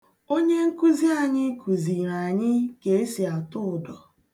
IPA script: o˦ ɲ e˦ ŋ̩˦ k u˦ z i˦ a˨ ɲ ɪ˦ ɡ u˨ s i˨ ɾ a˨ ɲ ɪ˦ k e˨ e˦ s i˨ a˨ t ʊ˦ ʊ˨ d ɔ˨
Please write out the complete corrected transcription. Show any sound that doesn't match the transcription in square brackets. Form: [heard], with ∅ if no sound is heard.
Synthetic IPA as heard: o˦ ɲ e˦ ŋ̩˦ k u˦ z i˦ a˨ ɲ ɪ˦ [k] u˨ [z] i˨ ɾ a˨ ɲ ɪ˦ k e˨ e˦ s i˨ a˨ t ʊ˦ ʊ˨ d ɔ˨